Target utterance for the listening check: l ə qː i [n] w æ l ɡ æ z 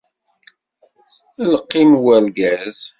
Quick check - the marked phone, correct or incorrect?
incorrect